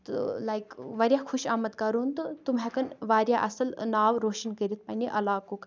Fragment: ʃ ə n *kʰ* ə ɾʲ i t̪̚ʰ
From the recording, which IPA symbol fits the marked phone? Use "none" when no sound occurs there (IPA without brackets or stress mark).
k